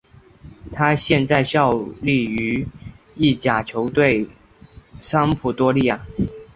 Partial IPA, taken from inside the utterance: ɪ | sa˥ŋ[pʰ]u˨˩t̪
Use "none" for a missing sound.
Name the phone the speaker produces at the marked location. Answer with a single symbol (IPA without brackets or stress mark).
pʰ